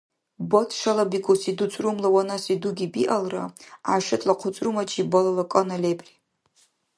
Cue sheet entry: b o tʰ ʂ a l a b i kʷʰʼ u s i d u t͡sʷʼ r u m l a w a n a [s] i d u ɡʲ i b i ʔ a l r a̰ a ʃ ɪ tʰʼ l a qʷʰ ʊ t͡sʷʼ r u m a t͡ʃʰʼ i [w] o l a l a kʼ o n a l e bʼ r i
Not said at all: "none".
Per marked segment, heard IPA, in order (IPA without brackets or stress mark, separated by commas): s, b